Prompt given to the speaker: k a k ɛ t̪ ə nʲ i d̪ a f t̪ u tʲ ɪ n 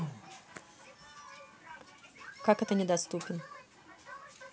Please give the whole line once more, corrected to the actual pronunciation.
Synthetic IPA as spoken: k a k ɛ t̪ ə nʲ ɪ d̪ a s t̪ u pʲ ɪ n